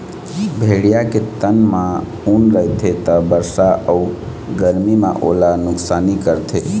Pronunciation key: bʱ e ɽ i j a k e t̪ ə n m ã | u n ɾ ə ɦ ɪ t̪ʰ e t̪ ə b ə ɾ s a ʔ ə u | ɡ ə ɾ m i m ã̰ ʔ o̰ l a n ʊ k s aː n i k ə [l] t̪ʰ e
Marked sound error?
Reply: yes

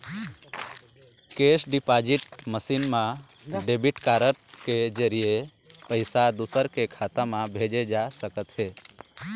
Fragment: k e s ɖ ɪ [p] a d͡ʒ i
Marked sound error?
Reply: no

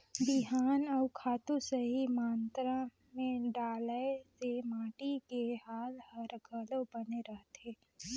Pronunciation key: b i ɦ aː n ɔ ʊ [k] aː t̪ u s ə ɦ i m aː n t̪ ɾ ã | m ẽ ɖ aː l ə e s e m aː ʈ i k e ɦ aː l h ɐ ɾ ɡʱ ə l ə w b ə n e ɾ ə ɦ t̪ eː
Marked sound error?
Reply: yes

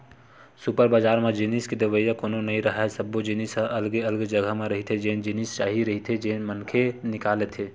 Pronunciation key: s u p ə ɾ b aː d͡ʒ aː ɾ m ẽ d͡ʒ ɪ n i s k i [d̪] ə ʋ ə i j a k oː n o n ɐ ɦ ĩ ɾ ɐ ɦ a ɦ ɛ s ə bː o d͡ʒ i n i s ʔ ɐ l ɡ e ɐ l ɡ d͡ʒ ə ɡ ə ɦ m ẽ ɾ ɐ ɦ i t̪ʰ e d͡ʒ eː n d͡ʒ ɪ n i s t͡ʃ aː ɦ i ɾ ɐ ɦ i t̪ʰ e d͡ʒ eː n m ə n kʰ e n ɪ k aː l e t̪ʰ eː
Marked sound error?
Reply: no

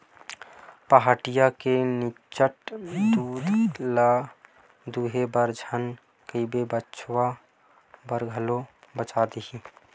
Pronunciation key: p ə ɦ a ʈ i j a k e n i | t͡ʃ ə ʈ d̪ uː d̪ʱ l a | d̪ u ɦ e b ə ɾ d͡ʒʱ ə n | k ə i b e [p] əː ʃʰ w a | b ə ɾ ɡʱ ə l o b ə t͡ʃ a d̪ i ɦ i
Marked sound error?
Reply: yes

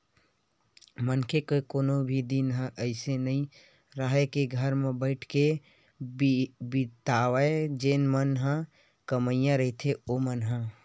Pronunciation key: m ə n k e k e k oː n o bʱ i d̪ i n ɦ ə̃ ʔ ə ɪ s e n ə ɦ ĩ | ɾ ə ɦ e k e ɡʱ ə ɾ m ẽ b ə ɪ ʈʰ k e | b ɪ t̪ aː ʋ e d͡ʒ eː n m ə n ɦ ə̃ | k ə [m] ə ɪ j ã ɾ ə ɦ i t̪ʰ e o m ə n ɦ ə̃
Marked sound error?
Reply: no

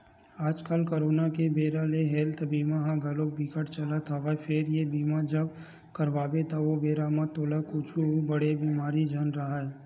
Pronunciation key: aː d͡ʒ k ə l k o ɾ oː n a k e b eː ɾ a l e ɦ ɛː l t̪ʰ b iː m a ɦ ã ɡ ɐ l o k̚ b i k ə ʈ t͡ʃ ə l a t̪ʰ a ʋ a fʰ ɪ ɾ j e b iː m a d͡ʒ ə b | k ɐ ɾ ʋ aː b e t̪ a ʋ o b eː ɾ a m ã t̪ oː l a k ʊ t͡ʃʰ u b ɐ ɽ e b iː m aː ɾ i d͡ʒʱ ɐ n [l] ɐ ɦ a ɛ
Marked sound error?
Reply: yes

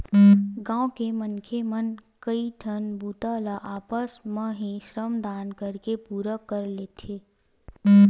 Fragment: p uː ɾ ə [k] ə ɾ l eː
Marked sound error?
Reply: no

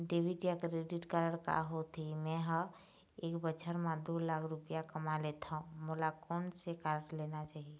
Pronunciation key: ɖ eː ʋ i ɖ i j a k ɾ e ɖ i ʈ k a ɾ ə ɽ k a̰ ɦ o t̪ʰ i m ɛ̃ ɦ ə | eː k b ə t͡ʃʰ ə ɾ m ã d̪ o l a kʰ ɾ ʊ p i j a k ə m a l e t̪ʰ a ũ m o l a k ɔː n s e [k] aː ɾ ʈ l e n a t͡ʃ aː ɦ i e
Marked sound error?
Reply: no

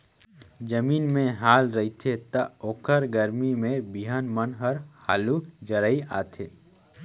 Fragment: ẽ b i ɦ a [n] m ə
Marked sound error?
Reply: no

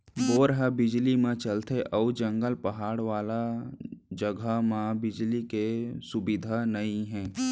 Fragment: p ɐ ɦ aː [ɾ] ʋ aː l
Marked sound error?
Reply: yes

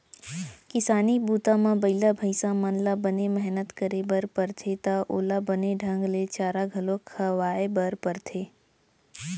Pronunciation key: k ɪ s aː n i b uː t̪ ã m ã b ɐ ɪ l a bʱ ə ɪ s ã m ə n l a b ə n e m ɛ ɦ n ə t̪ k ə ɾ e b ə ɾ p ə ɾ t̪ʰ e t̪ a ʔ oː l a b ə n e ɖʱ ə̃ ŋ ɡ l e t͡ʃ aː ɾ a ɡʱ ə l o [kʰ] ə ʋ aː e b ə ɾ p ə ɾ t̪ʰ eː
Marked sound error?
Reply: no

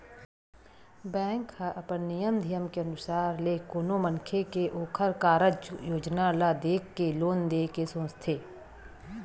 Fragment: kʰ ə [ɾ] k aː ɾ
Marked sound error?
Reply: no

